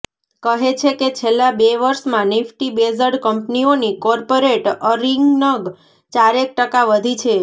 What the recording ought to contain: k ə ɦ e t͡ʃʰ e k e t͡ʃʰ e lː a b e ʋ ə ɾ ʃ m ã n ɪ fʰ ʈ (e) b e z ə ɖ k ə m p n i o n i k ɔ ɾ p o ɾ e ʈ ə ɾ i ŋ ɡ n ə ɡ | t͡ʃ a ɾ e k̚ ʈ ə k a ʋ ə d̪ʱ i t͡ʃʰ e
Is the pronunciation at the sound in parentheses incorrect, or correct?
incorrect